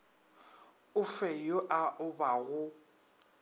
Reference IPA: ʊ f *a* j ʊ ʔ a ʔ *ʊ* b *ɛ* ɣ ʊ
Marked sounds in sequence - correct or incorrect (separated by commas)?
incorrect, correct, incorrect